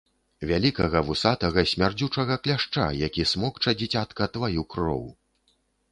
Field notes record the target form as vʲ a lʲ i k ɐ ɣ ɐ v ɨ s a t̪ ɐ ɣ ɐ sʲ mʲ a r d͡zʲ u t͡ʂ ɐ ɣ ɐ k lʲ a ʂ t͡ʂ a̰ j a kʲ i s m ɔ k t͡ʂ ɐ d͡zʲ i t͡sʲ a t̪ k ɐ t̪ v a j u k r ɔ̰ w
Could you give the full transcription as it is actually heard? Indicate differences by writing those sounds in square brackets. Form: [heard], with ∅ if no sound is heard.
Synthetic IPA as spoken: vʲ a lʲ i k ɐ ɣ ɐ v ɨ s a t̪ ɐ ɣ ɐ sʲ mʲ a r d͡zʲ u t͡ʂ ɐ ɣ ɐ k lʲ a ʂ t͡ʂ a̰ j a kʲ i s m ɔ k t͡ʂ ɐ d͡zʲ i t͡sʲ a t̪ k ɐ t̪ v a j u k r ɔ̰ w

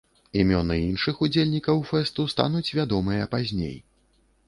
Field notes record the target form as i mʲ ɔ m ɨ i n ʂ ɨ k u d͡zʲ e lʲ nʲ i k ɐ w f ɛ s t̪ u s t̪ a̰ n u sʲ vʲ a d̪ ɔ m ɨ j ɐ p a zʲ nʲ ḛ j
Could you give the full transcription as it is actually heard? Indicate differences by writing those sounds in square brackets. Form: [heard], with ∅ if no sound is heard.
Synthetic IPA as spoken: i mʲ ɔ [n] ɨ i n ʂ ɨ [x] u d͡zʲ e lʲ nʲ i k ɐ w f ɛ s t̪ u s t̪ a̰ n u [t͡sʲ] vʲ a d̪ ɔ m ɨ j ɐ p a zʲ nʲ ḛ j

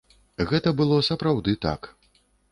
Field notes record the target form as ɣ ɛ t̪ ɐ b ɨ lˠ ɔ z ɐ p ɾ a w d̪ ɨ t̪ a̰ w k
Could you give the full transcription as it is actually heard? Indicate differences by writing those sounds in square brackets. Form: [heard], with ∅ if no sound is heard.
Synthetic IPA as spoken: ɣ ɛ t̪ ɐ b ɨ lˠ ɔ [s] ɐ p ɾ a w d̪ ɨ t̪ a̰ [∅] k

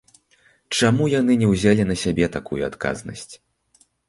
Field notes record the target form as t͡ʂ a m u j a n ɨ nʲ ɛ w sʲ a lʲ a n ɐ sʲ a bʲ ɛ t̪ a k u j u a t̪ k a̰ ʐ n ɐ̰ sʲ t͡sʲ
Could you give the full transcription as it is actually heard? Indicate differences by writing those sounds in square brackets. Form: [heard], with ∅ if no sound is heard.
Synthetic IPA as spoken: t͡ʂ a m u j a n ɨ nʲ ɛ w [zʲ] a lʲ [i] n ɐ sʲ a bʲ ɛ t̪ a k u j u a t̪ k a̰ [z] n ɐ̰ sʲ t͡sʲ

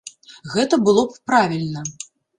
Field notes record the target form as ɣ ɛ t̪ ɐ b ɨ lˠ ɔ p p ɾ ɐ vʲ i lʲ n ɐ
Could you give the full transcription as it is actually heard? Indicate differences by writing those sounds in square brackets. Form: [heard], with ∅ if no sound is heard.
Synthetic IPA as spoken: ɣ ɛ t̪ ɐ b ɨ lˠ ɔ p p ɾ [a] vʲ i lʲ n ɐ

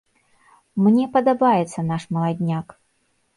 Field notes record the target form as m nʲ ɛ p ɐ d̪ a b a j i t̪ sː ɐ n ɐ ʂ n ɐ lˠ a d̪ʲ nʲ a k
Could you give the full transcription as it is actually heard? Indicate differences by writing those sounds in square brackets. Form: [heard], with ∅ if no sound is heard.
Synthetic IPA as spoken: m nʲ ɛ p ɐ d̪ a b a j [ɛ] t̪ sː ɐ n [a] ʂ [m] ɐ lˠ a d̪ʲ nʲ a k

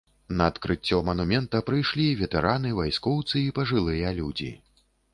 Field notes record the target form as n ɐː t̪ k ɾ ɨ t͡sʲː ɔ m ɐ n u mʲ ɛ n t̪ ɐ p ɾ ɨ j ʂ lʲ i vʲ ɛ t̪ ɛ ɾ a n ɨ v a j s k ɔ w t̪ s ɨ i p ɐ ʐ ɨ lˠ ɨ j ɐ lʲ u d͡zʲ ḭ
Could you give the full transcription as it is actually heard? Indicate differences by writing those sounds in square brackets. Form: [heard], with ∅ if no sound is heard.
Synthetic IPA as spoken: n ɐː t̪ k ɾ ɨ t͡sʲː ɔ m ɐ n u mʲ ɛ n t̪ ɐ p ɾ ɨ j ʂ lʲ i vʲ ɛ t̪ ɛ ɾ a n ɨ v a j s k ɔ w t̪ s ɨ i p ɐ ʐ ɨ lˠ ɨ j ɐ lʲ u d͡zʲ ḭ

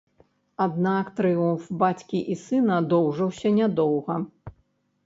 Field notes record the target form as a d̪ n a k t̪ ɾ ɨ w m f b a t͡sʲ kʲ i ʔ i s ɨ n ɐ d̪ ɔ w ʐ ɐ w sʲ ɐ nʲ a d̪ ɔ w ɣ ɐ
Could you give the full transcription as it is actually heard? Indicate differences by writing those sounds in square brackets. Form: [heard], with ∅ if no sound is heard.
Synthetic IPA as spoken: a d̪ n a k t̪ ɾ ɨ [u] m f b a t͡sʲ kʲ i ʔ i s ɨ n ɐ d̪ ɔ w ʐ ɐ w sʲ ɐ nʲ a d̪ ɔ w ɣ ɐ

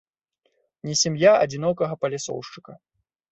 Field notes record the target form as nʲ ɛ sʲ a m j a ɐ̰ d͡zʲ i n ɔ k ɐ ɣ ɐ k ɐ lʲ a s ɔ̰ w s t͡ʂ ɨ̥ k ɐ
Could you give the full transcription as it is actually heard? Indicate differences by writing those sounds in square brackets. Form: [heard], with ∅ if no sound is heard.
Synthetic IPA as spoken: nʲ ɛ sʲ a m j a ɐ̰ d͡zʲ i n ɔ k ɐ ɣ ɐ [p] ɐ lʲ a s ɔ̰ w [ʂ] t͡ʂ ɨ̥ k ɐ

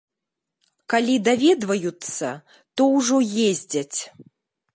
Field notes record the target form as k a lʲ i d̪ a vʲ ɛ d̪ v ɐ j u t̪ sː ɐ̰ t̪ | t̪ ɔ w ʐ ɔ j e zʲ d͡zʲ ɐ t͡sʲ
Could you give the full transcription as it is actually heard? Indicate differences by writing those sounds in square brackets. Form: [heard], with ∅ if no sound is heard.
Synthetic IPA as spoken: k a lʲ i d̪ a vʲ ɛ d̪ v ɐ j u t̪ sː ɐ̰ [∅] | t̪ ɔ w ʐ ɔ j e zʲ d͡zʲ ɐ t͡sʲ

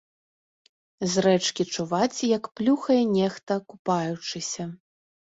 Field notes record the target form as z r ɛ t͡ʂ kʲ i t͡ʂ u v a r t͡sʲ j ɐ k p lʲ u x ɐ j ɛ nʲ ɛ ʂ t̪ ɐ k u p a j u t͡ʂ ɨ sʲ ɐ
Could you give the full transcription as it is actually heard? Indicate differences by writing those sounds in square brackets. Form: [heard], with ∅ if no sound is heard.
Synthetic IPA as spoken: z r ɛ t͡ʂ kʲ i t͡ʂ u v a [∅] t͡sʲ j ɐ k p lʲ u x ɐ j ɛ nʲ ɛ [x] t̪ ɐ k u p a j u t͡ʂ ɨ sʲ ɐ

